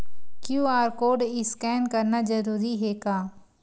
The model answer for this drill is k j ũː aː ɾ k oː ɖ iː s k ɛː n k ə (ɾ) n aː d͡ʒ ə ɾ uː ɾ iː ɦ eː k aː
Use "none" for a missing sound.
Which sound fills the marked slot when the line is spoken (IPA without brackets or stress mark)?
ɾ